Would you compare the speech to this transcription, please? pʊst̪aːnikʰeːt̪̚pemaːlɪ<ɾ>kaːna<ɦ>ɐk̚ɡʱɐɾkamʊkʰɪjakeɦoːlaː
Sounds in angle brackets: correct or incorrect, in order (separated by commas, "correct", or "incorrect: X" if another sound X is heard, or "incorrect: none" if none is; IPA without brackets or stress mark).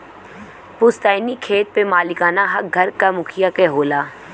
incorrect: none, correct